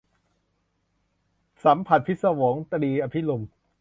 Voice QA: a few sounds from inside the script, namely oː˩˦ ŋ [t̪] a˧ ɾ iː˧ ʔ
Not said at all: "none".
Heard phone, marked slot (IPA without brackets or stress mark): t̪